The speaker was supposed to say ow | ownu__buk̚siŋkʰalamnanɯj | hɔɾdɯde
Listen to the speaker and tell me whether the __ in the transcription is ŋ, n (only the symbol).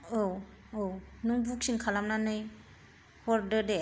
ŋ